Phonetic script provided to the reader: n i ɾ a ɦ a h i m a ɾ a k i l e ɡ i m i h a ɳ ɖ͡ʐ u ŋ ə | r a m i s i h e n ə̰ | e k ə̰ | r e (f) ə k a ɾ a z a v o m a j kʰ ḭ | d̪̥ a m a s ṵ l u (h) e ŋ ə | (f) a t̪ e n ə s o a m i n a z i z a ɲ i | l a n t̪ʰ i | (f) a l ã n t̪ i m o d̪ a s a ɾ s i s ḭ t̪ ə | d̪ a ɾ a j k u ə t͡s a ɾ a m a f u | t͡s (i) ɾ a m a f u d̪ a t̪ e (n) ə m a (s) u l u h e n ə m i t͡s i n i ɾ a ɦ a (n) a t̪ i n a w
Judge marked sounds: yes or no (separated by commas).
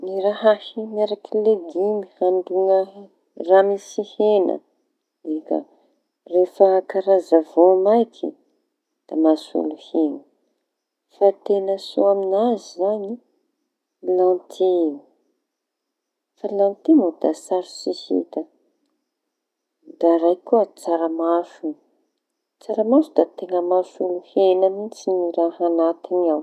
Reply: yes, yes, yes, yes, no, no, yes, yes